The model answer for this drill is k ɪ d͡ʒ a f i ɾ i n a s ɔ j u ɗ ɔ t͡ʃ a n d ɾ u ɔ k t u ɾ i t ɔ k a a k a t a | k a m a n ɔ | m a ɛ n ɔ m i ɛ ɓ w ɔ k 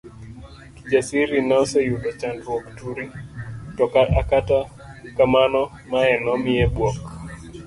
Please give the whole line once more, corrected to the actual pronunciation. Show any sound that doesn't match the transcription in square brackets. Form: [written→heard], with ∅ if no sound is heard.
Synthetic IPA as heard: k [ɪ→i] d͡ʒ a [f→s] i ɾ i n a s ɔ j u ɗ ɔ t͡ʃ a n d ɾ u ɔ k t u ɾ i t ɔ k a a k a t a | k a m a n ɔ | m a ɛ n ɔ m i ɛ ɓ w ɔ k